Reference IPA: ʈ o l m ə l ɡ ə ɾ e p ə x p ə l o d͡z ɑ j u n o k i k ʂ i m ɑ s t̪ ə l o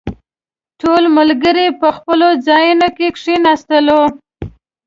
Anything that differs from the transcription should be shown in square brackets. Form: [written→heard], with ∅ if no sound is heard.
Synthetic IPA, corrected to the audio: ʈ o l m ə l ɡ ə ɾ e p ə x p ə l o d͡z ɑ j u n o k [i→e] k ʂ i [m→n] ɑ s t̪ ə l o